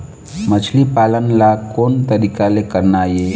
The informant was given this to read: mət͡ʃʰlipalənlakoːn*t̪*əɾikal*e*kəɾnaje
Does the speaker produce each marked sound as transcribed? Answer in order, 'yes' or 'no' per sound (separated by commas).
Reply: yes, yes